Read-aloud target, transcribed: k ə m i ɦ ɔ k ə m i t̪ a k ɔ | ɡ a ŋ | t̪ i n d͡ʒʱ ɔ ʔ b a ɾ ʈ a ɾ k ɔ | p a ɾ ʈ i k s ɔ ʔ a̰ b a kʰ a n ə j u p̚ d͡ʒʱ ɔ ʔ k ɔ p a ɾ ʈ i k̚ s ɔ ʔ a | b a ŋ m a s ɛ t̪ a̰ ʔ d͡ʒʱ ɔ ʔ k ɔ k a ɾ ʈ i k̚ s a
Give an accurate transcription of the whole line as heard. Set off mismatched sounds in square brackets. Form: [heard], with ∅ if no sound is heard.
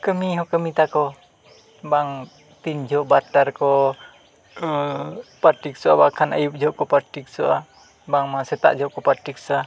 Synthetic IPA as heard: k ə m i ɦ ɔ k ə m i t̪ a k ɔ | [b] a ŋ | t̪ i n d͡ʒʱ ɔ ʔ b a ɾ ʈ a ɾ k ɔ | p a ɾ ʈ i k s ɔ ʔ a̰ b a kʰ a n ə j u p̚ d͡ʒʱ ɔ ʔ k ɔ p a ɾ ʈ i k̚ s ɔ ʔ a | b a ŋ m a s ɛ t̪ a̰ ʔ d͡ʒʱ ɔ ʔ k ɔ [p] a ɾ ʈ i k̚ s a